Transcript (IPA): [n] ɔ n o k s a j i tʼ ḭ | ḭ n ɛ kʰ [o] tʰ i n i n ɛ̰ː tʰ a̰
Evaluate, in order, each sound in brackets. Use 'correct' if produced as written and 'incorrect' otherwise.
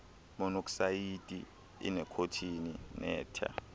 incorrect: m, correct

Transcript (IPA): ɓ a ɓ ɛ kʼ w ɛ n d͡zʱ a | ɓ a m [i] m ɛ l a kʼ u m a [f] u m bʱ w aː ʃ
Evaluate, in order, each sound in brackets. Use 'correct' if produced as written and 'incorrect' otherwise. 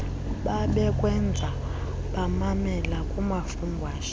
incorrect: a, correct

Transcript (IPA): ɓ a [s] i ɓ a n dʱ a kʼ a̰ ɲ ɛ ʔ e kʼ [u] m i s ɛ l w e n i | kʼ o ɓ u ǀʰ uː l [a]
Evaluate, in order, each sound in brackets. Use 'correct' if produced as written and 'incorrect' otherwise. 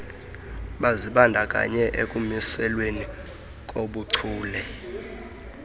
incorrect: z, correct, incorrect: ɛ

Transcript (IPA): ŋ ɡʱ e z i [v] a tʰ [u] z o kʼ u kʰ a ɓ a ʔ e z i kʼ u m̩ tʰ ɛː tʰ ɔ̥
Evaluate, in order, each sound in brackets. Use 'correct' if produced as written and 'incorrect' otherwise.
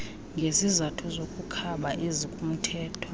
incorrect: z, correct

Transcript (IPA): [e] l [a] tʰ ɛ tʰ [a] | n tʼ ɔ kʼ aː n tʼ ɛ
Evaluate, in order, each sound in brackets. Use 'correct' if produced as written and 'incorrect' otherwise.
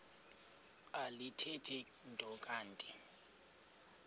incorrect: a, incorrect: i, incorrect: ɛ

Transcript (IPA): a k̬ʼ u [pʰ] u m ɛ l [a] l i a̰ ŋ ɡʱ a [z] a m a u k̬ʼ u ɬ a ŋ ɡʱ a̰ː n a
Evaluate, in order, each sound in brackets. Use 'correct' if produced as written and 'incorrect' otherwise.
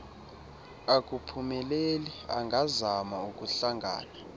correct, incorrect: e, correct

